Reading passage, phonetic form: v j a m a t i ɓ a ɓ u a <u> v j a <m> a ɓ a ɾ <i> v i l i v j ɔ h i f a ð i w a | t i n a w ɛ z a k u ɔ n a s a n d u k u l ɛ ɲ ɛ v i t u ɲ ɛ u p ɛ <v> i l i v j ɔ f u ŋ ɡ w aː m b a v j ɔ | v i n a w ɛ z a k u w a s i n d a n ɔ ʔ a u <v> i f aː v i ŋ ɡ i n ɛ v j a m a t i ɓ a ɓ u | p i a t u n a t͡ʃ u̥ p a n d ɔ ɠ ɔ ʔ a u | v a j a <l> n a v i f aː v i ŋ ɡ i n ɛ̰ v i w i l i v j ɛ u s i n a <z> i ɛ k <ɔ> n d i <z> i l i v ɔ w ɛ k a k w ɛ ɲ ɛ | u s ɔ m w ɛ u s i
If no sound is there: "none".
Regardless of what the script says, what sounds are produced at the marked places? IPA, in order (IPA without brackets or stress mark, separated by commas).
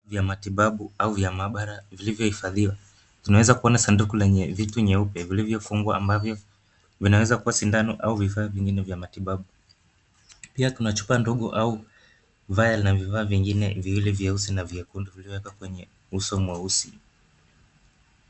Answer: u, m, a, v, v, l, v, u, v